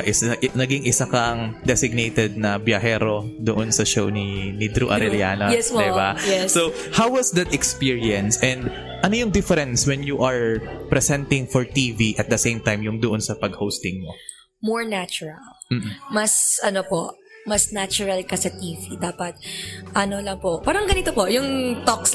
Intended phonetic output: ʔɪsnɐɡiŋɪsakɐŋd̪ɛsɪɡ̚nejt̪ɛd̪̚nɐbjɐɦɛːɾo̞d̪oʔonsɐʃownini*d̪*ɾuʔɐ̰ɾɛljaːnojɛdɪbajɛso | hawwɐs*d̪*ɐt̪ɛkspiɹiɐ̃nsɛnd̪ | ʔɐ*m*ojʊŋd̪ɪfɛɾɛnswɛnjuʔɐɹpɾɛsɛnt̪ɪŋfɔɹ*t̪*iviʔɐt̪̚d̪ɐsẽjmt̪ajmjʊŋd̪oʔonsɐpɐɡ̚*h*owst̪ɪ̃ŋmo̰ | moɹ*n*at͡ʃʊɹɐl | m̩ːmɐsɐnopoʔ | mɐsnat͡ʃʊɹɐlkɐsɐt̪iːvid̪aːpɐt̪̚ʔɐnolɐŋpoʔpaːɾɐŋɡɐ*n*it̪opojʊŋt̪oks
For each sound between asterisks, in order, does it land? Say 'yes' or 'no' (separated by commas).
yes, yes, no, yes, yes, yes, yes